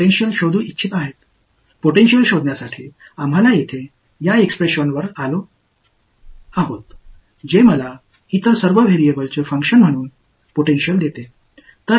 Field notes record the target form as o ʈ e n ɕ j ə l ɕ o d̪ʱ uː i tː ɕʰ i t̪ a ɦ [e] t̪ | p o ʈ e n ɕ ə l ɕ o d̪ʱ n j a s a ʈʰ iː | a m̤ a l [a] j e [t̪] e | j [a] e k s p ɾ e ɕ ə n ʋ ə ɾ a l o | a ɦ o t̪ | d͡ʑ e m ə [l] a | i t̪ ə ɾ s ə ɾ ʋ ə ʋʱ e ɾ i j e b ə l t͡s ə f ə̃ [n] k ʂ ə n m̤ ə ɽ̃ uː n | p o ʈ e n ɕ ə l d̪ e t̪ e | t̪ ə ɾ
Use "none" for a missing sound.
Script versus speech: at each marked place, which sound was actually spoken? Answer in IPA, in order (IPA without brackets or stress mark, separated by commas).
e, a, t̪ʰ, a, l, ŋ